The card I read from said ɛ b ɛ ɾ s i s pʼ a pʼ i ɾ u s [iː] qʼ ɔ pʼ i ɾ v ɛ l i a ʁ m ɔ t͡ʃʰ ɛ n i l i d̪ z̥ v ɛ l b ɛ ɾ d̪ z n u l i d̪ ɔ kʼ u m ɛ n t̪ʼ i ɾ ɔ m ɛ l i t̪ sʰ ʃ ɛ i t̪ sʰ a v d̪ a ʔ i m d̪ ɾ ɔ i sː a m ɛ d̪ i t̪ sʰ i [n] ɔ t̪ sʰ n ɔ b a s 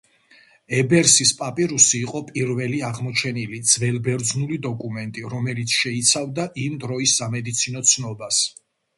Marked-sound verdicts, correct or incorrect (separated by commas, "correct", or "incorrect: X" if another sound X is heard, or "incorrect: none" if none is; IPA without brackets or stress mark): correct, correct